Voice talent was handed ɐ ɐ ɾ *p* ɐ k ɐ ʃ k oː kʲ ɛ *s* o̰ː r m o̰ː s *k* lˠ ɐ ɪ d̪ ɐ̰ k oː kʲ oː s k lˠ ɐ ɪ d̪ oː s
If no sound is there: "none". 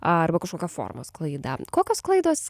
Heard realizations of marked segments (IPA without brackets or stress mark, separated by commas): b, f, k